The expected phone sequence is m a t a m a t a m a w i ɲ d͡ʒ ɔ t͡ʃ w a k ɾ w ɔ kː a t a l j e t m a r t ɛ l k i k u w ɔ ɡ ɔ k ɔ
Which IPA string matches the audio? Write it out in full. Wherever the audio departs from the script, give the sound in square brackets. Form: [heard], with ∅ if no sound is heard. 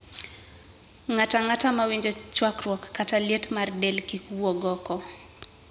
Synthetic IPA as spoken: [ŋ] a t a [ŋ] a t a m a w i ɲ d͡ʒ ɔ t͡ʃ w a k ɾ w ɔ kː a t a l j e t m a r [d] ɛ l k i k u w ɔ ɡ ɔ k ɔ